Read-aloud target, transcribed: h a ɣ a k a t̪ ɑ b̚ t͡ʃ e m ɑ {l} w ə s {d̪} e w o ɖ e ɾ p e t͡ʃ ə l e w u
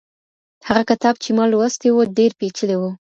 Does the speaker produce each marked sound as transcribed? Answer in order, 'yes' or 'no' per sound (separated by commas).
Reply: yes, no